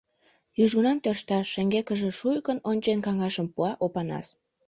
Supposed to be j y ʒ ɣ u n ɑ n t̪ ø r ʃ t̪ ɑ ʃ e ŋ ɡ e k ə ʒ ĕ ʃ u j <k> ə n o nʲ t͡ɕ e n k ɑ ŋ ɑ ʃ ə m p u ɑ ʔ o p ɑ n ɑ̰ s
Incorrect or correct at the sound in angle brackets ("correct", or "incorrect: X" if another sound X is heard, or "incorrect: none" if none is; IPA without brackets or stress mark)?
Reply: correct